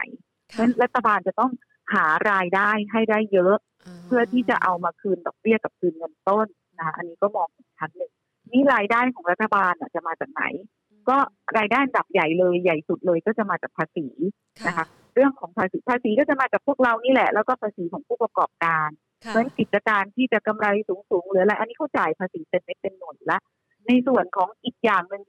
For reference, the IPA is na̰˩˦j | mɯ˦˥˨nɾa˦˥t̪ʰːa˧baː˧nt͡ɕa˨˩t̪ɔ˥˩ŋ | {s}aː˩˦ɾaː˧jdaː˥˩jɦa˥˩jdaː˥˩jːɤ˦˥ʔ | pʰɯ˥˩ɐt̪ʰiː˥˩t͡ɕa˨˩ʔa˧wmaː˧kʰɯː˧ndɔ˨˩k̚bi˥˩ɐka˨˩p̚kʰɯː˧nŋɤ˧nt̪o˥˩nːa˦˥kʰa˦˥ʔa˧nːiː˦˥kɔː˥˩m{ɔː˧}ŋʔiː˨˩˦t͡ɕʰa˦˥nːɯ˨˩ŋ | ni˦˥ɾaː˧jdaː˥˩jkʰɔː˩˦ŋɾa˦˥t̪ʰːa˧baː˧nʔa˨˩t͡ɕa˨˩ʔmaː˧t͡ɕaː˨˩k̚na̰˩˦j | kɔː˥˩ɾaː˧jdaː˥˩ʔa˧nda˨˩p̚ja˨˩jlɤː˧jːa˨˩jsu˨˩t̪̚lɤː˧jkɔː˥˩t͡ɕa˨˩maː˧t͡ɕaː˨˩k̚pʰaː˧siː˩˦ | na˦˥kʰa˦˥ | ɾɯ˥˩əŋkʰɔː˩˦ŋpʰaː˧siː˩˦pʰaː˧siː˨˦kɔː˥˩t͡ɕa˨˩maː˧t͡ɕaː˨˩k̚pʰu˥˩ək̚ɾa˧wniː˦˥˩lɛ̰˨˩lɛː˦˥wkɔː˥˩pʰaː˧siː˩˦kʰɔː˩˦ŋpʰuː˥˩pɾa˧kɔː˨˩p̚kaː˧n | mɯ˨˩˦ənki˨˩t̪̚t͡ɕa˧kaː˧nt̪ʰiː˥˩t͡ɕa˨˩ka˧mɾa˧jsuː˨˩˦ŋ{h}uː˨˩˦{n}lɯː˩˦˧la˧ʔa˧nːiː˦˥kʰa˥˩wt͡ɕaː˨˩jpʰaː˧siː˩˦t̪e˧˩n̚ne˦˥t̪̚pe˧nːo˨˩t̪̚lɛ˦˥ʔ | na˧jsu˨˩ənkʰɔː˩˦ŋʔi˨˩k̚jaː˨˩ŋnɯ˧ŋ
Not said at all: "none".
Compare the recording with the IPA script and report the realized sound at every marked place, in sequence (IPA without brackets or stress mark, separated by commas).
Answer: h, ɔː˧, s, ŋ